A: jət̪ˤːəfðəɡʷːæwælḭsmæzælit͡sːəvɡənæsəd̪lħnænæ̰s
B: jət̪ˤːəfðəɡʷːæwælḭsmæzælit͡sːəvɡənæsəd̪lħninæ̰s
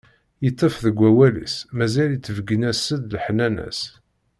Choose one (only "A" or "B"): A